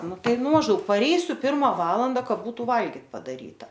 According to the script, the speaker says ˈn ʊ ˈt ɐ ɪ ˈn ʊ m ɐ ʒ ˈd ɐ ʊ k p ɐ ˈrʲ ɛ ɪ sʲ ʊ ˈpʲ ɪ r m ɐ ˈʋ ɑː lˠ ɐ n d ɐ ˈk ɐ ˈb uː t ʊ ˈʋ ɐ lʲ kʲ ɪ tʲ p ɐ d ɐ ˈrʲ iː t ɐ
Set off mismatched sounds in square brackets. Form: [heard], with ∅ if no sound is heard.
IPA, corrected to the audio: ˈn ʊ ˈt ɐ ɪ ˈn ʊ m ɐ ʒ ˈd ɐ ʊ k p ɐ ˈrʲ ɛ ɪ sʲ ʊ ˈpʲ ɪ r m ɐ ˈʋ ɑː lˠ ɐ n d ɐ ˈk ɐ ˈb uː t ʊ ˈʋ ɐ lʲ [ɡʲ] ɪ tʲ p ɐ d ɐ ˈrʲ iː t ɐ